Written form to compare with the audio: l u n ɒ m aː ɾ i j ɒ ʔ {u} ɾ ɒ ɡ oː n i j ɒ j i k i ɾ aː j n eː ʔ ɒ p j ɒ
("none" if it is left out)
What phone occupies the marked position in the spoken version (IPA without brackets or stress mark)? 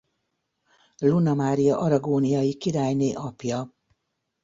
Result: ɒ